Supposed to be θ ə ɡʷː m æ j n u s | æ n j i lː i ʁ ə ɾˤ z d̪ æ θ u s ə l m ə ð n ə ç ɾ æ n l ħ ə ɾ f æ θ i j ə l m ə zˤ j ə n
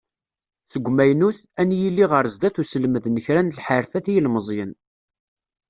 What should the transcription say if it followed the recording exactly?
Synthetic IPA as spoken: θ ə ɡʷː m æ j n u θ | æ n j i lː i ʁ ə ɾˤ z d̪ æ θ u s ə l m ə ð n ə ç ɾ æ n l ħ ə ɾ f æ θ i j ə l m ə zˤ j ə n